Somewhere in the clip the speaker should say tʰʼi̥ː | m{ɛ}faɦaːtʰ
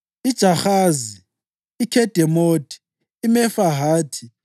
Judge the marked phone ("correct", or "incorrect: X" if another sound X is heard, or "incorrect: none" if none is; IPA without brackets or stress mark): correct